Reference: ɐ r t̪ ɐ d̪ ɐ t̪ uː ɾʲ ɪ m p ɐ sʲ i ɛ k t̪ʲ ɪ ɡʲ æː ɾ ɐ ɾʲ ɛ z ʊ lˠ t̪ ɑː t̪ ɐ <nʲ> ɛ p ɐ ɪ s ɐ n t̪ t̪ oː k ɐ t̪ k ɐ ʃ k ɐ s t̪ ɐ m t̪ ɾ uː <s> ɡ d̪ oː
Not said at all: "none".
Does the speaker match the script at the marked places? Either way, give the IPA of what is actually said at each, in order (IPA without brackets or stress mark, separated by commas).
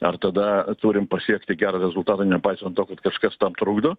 nʲ, none